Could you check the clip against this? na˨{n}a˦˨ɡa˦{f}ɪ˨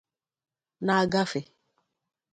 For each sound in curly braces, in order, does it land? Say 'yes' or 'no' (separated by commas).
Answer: no, yes